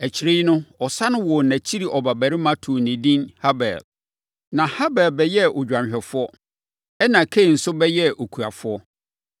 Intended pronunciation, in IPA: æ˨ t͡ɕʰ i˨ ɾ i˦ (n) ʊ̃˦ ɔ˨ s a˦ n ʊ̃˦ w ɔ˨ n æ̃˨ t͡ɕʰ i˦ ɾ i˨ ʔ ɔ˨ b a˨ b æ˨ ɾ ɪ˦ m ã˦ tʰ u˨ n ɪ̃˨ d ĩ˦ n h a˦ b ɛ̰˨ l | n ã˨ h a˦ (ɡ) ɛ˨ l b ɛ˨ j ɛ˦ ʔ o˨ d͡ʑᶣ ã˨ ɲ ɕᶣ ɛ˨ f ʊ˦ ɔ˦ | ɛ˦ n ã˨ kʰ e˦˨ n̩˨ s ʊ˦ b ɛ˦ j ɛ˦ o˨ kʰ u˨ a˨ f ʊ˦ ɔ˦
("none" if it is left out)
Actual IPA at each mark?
n, b

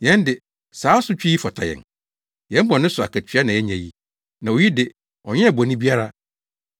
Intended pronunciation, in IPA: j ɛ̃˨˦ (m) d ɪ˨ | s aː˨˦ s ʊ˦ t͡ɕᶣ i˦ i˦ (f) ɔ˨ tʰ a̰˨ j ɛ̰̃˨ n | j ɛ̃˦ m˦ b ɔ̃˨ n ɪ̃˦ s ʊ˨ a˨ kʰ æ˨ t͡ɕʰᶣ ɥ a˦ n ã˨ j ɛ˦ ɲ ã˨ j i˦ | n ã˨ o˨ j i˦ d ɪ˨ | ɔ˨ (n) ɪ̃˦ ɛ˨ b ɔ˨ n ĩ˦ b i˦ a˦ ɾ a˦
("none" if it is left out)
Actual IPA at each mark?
n, f, ɲ

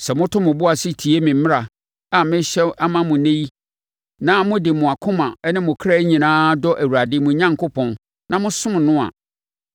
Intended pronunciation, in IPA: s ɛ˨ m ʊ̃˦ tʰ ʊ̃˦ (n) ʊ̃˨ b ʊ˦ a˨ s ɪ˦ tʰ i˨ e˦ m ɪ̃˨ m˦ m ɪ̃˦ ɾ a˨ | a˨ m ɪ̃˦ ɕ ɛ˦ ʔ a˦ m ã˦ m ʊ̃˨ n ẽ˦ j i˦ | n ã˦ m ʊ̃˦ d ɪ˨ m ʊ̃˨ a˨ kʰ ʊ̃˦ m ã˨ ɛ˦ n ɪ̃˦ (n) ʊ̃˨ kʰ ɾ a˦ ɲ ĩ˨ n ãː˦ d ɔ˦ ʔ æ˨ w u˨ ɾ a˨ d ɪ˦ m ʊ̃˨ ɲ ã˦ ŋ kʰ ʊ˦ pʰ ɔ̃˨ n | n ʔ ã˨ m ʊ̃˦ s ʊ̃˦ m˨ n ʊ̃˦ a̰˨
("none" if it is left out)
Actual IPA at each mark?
m, m

